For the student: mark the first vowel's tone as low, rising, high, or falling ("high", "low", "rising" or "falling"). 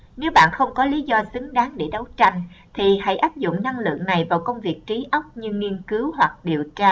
rising